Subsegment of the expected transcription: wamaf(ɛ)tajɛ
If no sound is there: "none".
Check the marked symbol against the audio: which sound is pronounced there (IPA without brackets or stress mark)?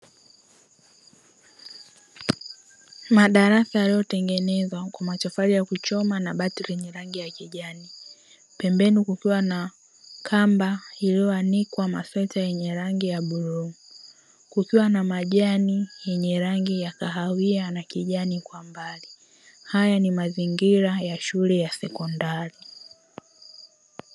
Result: ɛ